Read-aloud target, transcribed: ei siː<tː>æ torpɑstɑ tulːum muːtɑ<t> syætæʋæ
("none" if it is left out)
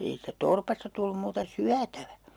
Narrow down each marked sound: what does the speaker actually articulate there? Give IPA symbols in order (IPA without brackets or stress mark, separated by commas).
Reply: tː, none